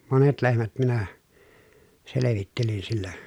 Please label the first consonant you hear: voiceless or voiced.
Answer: voiced